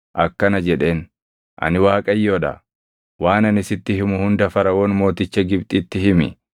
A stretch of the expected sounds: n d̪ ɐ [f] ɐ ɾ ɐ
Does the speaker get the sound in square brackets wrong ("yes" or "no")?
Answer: no